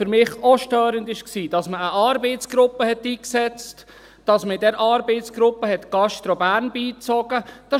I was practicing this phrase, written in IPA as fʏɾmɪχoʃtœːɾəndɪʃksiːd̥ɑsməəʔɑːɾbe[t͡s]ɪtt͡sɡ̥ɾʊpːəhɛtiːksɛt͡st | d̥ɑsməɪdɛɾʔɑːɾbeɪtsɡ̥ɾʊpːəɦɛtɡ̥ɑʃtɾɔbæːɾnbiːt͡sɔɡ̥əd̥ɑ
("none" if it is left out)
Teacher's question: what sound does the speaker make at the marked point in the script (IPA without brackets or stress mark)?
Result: none